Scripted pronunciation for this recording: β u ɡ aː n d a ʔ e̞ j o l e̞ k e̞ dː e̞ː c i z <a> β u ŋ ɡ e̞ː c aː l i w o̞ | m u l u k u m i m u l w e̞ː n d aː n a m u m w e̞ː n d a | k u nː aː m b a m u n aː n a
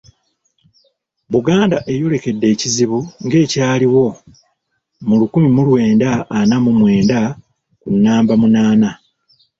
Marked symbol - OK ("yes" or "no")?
no